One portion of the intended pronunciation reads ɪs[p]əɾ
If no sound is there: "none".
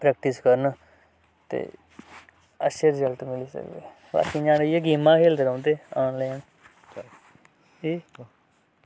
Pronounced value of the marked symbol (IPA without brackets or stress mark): k